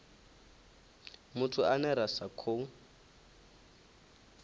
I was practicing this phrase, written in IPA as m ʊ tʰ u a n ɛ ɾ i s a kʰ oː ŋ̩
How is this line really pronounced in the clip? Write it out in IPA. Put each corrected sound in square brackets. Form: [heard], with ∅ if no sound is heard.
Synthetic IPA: m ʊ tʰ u a n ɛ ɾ [a] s a kʰ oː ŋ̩